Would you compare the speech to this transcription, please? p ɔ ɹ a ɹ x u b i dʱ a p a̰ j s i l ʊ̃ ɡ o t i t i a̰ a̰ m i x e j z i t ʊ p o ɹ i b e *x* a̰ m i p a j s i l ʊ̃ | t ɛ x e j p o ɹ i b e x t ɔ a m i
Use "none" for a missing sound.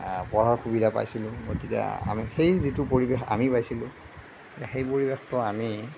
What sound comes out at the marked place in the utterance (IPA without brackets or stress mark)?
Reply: x